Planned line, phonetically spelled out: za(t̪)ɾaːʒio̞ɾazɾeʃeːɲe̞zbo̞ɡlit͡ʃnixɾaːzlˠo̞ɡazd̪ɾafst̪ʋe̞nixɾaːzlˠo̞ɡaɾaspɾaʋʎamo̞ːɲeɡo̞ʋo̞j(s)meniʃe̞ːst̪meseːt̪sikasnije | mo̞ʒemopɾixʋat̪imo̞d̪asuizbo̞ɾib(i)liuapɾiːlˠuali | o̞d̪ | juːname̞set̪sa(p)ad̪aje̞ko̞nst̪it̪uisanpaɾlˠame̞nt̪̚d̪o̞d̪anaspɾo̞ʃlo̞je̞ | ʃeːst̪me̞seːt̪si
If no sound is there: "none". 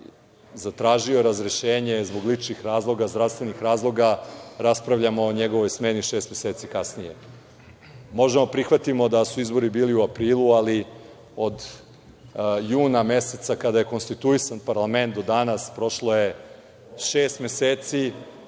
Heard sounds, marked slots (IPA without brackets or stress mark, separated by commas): t̪, s, iː, k